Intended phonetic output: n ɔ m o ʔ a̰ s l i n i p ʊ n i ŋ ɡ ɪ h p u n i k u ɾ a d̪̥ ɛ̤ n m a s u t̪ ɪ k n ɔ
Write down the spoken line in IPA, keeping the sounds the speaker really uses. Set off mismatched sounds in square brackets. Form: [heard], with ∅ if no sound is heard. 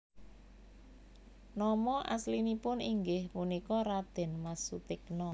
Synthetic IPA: n ɔ m [ɔ] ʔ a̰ s l i n i p ʊ n i ŋ ɡ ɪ h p u n i k [ɔ] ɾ a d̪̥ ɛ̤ n m a s u t̪ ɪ k n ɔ

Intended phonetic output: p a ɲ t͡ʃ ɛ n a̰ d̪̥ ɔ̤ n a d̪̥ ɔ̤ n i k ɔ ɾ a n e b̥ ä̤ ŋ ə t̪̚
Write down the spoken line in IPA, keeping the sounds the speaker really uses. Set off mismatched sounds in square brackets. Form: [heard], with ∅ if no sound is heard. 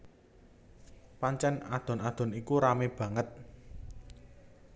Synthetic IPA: p a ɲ t͡ʃ ɛ n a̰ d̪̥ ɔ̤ n a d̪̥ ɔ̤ n i k [u] ɾ a [m] e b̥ ä̤ ŋ ə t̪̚

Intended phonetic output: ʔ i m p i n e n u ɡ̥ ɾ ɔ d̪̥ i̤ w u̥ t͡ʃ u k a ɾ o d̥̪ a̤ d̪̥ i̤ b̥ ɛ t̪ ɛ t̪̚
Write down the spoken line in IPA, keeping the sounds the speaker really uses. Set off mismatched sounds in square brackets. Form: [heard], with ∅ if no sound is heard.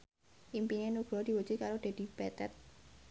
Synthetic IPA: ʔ i m p i n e n u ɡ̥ ɾ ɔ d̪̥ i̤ w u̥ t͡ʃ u k a ɾ o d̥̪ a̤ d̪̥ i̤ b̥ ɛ t̪ ɛ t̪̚

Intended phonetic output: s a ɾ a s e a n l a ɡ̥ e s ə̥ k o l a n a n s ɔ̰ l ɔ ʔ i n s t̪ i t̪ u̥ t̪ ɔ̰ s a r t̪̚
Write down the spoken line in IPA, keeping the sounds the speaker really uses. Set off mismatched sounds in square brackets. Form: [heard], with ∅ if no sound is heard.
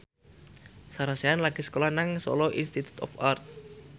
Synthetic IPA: s a ɾ a s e a n l a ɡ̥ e s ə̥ k o l a n a [ŋ] s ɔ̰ l ɔ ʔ i n s t̪ i t̪ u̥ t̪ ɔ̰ [f] a r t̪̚

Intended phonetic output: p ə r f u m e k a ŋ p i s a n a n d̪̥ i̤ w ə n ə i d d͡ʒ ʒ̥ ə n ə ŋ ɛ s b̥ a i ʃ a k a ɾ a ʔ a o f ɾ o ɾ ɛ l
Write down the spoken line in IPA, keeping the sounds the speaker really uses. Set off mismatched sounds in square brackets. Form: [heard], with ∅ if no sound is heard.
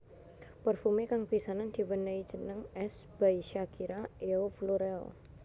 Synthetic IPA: p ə r f u m e k a ŋ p i s a n a n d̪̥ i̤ w ə n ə i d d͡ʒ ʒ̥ ə n ə ŋ ɛ s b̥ a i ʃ a k [i] ɾ a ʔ [e] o f [l] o ɾ ɛ l

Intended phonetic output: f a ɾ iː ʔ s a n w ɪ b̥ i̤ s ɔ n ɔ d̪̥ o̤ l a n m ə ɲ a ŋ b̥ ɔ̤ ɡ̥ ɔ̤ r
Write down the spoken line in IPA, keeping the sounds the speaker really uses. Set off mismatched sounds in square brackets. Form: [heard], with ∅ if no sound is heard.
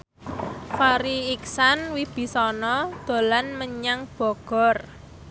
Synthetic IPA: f a ɾ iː [k] s a n w [i] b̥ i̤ s ɔ n ɔ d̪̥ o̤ l a n m ə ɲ a ŋ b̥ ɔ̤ ɡ̥ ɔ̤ r

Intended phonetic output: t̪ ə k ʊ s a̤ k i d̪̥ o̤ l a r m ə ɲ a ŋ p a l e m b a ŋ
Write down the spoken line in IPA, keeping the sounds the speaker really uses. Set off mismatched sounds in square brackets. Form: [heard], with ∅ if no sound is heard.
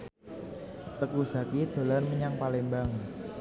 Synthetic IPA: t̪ ə k [u] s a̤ k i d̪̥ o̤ l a r m ə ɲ a ŋ p a l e m b a ŋ

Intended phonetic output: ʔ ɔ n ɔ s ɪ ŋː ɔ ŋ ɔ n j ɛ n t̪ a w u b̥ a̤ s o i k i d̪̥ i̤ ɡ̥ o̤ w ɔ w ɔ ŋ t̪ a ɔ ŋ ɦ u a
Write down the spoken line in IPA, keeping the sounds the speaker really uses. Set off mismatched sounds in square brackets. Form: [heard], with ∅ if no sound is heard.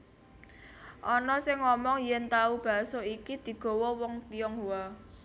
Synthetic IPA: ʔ ɔ n ɔ s ɪ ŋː ɔ [m] ɔ [ŋ] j ɛ n t̪ a [∅] u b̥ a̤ s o i k i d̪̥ i̤ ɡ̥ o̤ w ɔ w ɔ ŋ t̪ [i] ɔ ŋ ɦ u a

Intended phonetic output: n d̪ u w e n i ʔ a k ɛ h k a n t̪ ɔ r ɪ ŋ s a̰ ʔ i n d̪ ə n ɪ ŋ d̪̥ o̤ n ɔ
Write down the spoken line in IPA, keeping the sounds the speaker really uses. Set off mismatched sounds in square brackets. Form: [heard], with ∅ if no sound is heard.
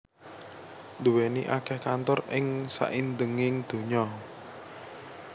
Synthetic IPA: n d̪ u w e n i ʔ a k ɛ h k a n t̪ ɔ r ɪ ŋ s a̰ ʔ i n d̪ ə [ŋ] ɪ ŋ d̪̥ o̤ [ɲ] ɔ

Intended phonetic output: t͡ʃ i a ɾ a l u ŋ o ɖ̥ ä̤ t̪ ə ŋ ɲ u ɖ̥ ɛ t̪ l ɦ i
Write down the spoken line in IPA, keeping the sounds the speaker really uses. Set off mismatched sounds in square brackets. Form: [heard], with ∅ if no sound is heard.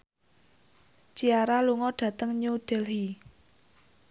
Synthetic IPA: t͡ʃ i a ɾ a l u ŋ [ɔ] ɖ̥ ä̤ t̪ ə ŋ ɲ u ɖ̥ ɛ [∅] l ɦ i

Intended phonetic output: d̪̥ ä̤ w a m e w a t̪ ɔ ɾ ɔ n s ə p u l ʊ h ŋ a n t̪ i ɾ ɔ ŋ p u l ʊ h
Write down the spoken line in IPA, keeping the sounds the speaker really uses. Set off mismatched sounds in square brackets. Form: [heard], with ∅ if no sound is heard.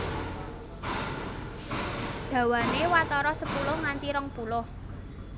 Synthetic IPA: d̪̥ ä̤ w a [n] e w a t̪ ɔ ɾ ɔ [∅] s ə p u l ʊ h ŋ a n t̪ i ɾ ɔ ŋ p u l ʊ h

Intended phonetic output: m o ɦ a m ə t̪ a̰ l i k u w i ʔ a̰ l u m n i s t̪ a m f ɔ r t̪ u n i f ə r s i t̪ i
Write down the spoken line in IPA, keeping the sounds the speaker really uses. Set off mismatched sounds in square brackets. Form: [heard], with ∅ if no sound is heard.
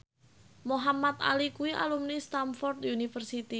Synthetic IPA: m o ɦ a m [a] t̪ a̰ l i k u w i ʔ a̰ l u m n i s t̪ a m f ɔ r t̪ u n i f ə r s i t̪ i

